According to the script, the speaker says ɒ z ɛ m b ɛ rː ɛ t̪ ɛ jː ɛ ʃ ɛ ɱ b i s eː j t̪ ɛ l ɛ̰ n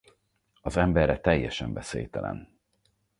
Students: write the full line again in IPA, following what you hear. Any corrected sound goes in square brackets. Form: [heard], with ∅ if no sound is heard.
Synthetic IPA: ɒ z ɛ m b ɛ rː ɛ t̪ ɛ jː ɛ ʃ ɛ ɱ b [ɛ] s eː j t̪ ɛ l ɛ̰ n